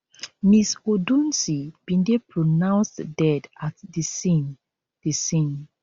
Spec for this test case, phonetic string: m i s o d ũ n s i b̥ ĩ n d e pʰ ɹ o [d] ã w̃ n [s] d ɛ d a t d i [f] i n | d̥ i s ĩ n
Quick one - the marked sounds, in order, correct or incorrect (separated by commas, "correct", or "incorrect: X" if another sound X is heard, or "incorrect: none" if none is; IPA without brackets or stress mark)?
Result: incorrect: n, correct, incorrect: s